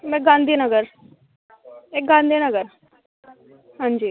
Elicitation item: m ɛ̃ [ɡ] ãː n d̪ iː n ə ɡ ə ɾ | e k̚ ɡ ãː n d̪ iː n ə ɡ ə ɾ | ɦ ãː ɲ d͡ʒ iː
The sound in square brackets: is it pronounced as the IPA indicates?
yes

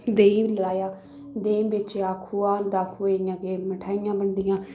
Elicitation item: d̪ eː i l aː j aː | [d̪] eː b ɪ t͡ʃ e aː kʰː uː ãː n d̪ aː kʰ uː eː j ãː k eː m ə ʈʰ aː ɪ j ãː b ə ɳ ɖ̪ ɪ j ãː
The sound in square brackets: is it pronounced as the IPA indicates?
yes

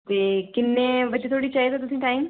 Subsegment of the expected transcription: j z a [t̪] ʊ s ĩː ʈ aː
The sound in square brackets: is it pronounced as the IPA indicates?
yes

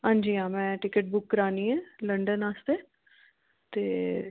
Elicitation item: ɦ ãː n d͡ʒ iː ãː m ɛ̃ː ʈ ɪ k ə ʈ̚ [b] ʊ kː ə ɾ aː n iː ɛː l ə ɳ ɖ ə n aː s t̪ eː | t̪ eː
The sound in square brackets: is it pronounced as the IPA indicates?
yes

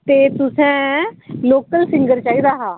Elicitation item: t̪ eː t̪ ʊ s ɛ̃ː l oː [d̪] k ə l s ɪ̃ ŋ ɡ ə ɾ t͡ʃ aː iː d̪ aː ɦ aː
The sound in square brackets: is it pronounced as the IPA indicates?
no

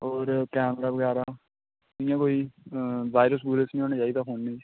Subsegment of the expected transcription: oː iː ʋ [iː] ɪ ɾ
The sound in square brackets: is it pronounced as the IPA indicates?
no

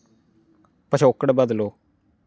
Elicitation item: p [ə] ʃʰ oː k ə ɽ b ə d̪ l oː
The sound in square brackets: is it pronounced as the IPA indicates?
yes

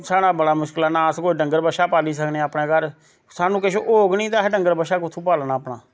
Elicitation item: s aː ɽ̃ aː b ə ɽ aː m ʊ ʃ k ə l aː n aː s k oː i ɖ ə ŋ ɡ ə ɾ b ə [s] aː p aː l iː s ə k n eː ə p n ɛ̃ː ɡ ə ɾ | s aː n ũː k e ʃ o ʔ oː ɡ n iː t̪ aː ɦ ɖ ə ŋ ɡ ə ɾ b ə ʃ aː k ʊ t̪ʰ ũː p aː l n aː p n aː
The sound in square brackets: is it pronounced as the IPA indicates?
no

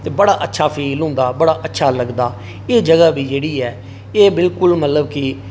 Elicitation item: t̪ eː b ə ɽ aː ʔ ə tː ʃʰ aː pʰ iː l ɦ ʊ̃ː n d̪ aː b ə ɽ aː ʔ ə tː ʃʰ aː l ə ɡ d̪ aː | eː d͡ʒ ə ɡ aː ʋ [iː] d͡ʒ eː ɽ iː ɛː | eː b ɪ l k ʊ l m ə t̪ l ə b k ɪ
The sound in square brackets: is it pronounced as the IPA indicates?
yes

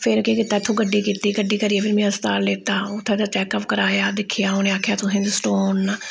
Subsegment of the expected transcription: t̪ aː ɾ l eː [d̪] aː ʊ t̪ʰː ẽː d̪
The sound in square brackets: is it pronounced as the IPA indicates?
no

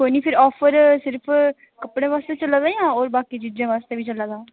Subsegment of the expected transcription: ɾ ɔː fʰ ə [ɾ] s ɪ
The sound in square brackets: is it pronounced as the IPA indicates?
yes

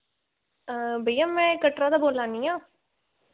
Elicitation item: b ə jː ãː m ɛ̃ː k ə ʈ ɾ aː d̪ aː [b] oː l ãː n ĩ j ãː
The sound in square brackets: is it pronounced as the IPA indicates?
yes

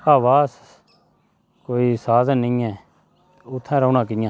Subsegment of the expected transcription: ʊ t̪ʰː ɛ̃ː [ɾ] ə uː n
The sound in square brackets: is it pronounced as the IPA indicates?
yes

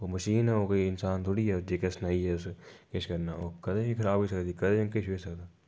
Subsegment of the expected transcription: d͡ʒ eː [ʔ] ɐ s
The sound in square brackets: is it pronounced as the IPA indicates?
no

